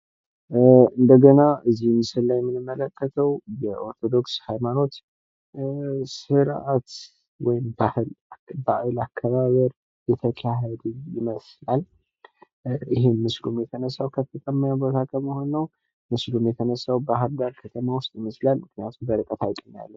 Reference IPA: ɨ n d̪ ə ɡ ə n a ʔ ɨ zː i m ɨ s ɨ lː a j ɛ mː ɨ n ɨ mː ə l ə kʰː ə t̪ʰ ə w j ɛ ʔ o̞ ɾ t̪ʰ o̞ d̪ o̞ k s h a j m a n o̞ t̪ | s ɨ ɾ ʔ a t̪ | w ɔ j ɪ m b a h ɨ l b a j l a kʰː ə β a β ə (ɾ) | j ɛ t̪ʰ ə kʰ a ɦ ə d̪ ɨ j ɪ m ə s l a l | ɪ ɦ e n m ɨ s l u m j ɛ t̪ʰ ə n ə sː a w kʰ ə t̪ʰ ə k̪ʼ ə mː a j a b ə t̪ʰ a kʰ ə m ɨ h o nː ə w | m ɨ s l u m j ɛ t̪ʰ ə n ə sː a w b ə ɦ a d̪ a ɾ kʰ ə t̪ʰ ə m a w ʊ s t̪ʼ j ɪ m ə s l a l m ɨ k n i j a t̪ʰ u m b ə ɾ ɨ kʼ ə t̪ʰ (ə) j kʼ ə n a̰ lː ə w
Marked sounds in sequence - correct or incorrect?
correct, incorrect: a

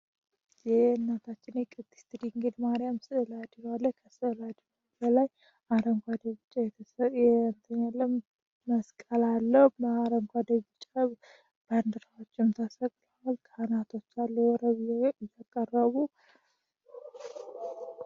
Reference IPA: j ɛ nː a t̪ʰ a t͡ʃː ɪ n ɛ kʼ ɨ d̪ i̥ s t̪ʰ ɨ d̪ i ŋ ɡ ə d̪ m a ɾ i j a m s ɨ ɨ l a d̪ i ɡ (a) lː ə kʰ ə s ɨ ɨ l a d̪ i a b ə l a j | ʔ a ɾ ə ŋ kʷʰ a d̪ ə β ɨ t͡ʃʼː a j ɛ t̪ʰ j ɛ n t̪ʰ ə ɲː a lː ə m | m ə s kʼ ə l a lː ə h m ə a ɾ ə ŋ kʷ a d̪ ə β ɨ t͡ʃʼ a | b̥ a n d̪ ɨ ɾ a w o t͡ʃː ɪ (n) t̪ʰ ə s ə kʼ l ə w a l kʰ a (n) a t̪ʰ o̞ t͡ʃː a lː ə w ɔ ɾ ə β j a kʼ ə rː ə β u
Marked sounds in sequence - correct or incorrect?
correct, incorrect: m, correct

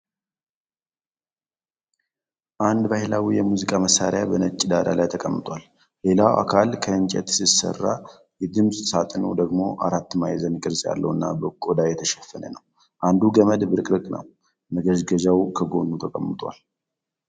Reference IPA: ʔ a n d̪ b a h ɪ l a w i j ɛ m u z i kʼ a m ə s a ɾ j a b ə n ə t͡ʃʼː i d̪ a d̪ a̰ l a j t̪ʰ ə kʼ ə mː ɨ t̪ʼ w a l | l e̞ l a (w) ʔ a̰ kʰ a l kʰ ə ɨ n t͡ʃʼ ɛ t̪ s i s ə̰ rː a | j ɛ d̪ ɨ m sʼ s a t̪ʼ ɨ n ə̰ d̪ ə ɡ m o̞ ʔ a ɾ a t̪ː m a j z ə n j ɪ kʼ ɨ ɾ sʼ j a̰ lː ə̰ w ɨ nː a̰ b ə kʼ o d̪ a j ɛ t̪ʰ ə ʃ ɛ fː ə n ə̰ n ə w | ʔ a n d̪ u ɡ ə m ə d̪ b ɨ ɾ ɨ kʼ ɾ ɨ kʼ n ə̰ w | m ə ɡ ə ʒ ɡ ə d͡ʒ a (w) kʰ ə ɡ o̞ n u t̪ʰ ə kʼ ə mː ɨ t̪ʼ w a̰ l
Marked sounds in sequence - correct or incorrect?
correct, correct

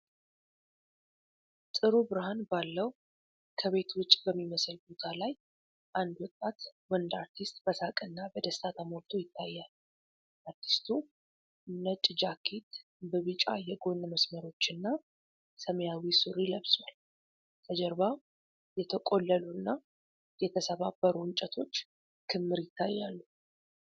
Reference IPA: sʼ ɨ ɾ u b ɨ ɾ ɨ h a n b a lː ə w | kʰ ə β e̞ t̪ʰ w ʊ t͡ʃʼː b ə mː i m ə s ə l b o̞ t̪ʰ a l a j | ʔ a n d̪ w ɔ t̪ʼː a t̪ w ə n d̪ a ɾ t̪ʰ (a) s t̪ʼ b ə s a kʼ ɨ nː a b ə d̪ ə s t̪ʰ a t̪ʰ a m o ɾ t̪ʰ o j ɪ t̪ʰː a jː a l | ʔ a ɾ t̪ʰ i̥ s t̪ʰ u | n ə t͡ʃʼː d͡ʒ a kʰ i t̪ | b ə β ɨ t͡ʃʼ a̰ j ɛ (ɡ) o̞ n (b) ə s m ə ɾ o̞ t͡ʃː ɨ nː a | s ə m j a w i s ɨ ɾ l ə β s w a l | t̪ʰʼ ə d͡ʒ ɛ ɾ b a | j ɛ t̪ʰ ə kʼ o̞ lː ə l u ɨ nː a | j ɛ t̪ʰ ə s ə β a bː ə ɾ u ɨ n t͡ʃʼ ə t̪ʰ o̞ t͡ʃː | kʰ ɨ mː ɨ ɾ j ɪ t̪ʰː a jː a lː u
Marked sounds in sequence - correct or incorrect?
incorrect: i, correct, incorrect: m

